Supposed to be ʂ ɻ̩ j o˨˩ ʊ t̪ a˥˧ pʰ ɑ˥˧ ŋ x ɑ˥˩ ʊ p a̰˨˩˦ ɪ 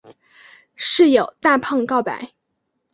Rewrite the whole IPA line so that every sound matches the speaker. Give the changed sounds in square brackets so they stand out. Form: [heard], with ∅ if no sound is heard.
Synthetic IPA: ʂ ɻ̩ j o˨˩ ʊ t̪ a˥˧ pʰ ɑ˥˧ ŋ [k] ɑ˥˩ ʊ p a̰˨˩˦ ɪ